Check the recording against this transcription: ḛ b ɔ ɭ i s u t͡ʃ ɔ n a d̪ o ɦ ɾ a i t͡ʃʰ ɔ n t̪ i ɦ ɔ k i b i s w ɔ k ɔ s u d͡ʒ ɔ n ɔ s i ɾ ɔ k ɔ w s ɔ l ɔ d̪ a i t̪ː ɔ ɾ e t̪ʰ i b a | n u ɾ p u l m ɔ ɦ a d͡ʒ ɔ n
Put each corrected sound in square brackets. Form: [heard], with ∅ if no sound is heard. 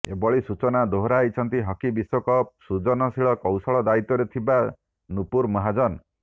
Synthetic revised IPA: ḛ b ɔ ɭ i s u t͡ʃ ɔ n a d̪ o ɦ ɾ a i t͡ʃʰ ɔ n t̪ i ɦ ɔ k i b i s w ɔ k ɔ s u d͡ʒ ɔ n ɔ s i [ɭ] ɔ k ɔ w s ɔ [ɭ] ɔ d̪ a i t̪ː ɔ ɾ e t̪ʰ i b a | n u [∅] p u [ɾ] m ɔ ɦ a d͡ʒ ɔ n

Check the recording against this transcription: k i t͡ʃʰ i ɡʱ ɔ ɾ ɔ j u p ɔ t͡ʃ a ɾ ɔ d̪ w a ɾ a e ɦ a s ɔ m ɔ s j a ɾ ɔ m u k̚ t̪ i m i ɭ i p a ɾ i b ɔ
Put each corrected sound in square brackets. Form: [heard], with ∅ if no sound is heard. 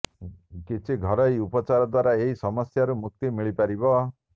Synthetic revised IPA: k i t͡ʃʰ i ɡʱ ɔ ɾ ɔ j u p ɔ t͡ʃ a ɾ ɔ d̪ w a ɾ a e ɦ [i] s ɔ m ɔ s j a ɾ [u] m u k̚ t̪ i m i ɭ i p a ɾ i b ɔ

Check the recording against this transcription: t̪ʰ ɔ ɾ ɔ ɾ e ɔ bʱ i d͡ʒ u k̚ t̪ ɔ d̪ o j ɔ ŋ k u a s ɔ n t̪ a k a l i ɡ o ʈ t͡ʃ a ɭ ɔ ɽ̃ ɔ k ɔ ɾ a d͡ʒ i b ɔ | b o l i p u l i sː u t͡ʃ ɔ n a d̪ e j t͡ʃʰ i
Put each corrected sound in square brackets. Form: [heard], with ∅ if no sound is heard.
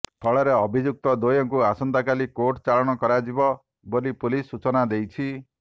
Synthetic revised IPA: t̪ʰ ɔ [ɭ] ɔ ɾ e ɔ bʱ i d͡ʒ u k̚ t̪ ɔ d̪ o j ɔ ŋ k u a s ɔ n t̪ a k a l i [k] o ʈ t͡ʃ a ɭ ɔ ɽ̃ ɔ k ɔ ɾ a d͡ʒ i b ɔ | b o l i p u l i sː u t͡ʃ ɔ n a d̪ e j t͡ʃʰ i

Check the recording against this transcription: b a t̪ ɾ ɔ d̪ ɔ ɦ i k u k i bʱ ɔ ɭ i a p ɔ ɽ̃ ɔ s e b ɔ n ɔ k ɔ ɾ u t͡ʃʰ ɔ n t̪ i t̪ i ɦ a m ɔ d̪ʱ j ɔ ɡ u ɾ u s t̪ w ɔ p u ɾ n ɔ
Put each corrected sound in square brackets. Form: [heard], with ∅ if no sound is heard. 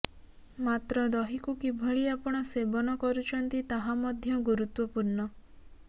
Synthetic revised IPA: [m] a t̪ ɾ ɔ d̪ ɔ ɦ i k u k i bʱ ɔ ɭ i a p ɔ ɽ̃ ɔ s e b ɔ n ɔ k ɔ ɾ u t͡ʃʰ ɔ n t̪ i t̪ [a] ɦ a m ɔ d̪ʱ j ɔ ɡ u ɾ u [∅] t̪ w ɔ p u ɾ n ɔ

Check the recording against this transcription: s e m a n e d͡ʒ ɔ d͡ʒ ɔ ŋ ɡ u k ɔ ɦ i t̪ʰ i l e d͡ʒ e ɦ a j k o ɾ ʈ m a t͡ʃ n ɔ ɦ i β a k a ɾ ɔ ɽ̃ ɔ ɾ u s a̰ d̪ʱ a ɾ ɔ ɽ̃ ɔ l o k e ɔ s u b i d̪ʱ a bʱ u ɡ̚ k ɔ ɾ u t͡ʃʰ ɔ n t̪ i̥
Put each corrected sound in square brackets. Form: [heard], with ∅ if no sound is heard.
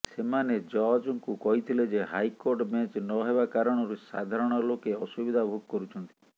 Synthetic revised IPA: s e m a n e d͡ʒ ɔ d͡ʒ ɔ ŋ [k] u k ɔ ɦ i t̪ʰ i l e d͡ʒ e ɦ a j k o ɾ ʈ m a t͡ʃ n ɔ ɦ [e] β a k a ɾ ɔ ɽ̃ ɔ ɾ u s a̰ d̪ʱ a ɾ ɔ ɽ̃ ɔ l o k e ɔ s u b i d̪ʱ a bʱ u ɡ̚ k ɔ ɾ u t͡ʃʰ ɔ n t̪ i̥

